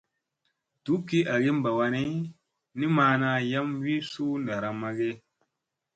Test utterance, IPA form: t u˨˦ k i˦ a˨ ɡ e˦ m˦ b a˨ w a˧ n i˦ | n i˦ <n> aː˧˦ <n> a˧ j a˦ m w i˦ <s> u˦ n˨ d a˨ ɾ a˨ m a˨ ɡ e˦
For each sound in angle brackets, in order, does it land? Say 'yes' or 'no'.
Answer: no, yes, yes

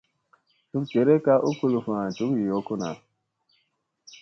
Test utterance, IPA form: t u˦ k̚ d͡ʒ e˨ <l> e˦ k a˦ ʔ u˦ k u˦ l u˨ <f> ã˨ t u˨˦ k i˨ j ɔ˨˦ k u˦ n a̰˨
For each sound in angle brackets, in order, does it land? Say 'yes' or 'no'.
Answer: no, yes

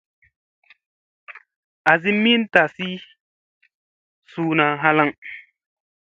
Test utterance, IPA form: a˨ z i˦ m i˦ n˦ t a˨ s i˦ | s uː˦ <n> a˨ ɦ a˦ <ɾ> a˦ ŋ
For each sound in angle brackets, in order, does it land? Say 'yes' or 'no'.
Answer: yes, no

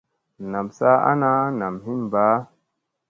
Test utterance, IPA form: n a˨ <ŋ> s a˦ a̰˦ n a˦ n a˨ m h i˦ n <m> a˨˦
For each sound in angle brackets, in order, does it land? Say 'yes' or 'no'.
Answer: no, no

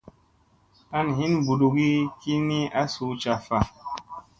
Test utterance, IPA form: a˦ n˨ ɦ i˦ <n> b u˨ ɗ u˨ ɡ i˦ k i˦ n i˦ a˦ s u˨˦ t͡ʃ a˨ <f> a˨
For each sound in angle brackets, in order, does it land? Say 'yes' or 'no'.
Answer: yes, yes

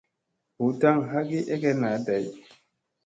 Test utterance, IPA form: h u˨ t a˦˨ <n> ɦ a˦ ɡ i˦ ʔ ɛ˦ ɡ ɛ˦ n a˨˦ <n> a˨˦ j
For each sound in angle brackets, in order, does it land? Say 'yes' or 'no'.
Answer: no, no

